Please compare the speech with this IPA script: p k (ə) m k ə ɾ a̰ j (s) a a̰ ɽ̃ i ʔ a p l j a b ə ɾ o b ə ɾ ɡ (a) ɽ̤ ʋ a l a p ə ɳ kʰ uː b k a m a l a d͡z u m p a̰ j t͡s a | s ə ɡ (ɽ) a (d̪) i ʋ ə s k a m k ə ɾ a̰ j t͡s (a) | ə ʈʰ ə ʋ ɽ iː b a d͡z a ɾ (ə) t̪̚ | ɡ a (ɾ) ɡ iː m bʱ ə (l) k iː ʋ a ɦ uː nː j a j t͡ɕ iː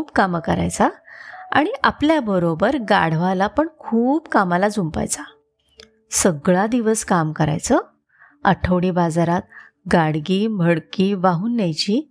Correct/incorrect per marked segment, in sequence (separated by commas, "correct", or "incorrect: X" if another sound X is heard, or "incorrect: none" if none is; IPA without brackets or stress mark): incorrect: a, incorrect: t͡s, correct, incorrect: ɭ, correct, incorrect: ə, incorrect: a, incorrect: ɽ, incorrect: ɽ